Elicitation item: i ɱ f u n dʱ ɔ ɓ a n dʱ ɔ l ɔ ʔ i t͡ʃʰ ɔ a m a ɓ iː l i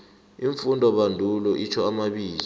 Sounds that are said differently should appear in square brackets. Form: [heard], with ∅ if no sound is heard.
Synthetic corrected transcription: i ɱ f u n dʱ ɔ ɓ a n dʱ [u] l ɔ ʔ i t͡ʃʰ ɔ a m a ɓ iː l i